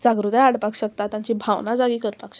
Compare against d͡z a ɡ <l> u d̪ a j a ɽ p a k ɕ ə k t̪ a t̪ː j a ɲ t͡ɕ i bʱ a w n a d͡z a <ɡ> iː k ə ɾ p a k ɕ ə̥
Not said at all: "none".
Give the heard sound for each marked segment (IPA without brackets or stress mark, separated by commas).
ɾ, ɡ